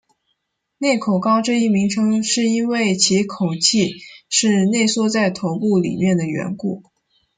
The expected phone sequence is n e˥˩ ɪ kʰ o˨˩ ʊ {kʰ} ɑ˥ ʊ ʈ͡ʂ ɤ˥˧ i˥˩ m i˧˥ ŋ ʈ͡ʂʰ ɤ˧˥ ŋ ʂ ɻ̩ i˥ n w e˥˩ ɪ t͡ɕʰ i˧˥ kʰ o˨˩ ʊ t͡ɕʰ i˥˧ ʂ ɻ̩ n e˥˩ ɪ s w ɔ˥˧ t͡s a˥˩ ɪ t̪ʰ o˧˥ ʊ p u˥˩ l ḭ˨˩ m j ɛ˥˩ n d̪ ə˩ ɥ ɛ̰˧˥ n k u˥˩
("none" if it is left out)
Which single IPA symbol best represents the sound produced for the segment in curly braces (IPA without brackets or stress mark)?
k